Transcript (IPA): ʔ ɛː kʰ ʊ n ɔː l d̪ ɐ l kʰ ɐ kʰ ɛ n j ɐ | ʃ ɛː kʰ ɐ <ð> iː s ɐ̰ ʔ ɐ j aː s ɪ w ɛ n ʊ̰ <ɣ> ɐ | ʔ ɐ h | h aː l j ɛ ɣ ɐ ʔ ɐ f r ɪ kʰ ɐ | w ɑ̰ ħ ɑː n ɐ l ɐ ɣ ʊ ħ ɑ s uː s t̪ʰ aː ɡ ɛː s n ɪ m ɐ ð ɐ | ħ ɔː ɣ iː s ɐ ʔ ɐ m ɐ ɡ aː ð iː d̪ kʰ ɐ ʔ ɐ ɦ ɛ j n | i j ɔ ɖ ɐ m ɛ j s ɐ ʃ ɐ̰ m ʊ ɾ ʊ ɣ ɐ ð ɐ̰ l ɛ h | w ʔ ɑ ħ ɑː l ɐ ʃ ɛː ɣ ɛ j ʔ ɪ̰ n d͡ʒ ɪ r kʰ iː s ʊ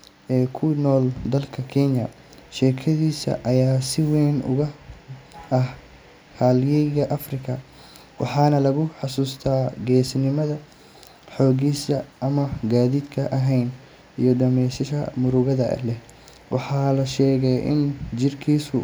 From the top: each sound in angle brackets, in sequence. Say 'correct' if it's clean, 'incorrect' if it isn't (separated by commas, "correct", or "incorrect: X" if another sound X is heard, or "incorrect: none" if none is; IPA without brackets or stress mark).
correct, correct